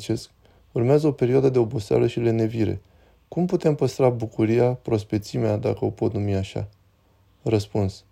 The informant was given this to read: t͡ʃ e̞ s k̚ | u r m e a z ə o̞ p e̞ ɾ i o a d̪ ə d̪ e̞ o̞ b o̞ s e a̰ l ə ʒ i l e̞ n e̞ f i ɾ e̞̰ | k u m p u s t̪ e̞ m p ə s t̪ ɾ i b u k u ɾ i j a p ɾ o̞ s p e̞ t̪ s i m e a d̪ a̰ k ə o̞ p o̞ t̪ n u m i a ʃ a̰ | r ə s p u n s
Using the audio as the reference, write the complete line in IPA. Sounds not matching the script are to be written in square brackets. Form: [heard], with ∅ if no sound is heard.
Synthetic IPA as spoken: t͡ʃ e̞ s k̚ | u r m e a z ə o̞ p e̞ ɾ i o a d̪ ə d̪ e̞ o̞ b o̞ s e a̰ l ə [ʃ] i l e̞ n e̞ [v] i ɾ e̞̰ | k u m p u [∅] t̪ e̞ m p ə s t̪ ɾ [a] b u k u ɾ i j a p ɾ o̞ s p e̞ t̪ s i m e a d̪ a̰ k ə o̞ p o̞ t̪ n u m i a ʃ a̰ | r ə s p u n s